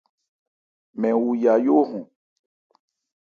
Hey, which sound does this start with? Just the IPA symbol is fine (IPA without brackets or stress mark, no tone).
m